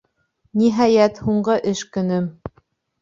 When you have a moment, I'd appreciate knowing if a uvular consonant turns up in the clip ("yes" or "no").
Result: yes